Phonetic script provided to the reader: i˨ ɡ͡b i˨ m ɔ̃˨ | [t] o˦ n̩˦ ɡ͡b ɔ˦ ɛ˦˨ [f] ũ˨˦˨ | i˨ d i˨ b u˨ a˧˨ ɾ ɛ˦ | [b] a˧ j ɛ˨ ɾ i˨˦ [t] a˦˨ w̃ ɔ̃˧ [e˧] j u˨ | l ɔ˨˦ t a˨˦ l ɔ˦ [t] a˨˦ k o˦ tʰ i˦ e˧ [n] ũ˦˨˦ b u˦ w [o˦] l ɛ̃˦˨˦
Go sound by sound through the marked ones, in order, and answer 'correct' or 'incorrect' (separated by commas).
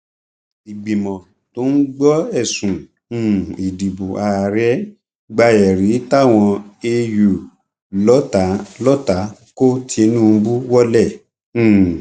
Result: correct, incorrect, incorrect, correct, correct, correct, correct, incorrect